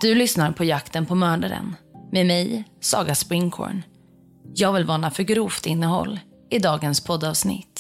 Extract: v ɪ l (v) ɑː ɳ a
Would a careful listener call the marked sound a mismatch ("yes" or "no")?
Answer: no